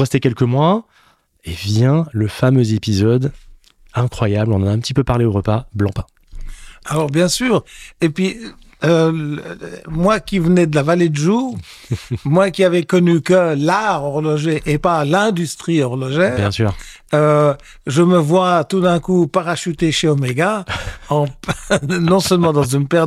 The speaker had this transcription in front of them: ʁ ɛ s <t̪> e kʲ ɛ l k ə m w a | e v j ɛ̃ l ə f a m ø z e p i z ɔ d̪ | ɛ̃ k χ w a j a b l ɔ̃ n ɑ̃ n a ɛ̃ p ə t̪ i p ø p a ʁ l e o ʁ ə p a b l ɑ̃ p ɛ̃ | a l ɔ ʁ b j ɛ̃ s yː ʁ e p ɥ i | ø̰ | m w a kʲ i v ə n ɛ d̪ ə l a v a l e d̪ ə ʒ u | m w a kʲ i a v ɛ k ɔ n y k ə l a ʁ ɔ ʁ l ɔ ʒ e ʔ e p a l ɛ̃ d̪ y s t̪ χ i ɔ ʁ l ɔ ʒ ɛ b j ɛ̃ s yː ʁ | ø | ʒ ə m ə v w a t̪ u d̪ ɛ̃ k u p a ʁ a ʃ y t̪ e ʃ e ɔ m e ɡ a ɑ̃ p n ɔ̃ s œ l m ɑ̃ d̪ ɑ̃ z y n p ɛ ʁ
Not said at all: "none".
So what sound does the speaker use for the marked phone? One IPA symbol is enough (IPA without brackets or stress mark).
t̪